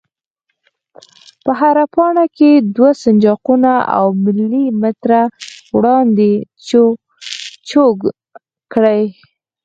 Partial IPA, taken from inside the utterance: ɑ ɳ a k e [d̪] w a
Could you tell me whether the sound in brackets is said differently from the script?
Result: no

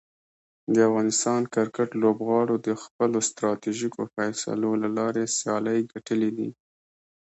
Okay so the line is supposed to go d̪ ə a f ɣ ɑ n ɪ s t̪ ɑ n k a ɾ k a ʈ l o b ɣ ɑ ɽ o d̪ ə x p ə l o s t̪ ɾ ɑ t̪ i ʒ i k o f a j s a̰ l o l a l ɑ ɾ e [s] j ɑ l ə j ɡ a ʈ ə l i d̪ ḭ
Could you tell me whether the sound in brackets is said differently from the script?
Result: no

